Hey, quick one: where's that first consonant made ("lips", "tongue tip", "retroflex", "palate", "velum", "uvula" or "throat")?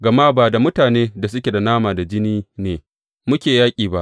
velum